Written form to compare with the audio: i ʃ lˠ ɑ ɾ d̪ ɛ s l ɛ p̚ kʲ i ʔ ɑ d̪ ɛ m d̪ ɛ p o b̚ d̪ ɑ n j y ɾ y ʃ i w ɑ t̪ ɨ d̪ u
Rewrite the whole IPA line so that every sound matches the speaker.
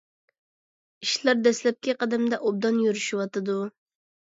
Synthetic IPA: i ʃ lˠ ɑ ɾ d̪ ɛ s l ɛ p̚ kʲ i q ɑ d̪ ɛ m d̪ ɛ ʔ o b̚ d̪ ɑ n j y ɾ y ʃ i w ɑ t̪ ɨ d̪ u